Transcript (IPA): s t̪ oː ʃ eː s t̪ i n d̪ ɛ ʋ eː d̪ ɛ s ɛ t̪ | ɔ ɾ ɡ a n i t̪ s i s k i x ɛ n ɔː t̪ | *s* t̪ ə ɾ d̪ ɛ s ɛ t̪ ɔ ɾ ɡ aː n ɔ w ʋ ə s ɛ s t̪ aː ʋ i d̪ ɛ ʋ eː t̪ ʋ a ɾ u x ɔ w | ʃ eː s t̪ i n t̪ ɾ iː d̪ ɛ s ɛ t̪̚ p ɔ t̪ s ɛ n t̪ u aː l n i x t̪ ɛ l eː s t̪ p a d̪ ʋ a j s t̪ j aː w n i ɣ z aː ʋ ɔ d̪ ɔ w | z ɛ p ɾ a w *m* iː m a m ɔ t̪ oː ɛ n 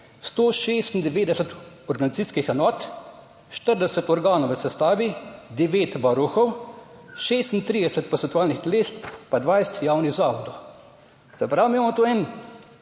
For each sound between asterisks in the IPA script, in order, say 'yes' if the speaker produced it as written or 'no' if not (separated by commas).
no, yes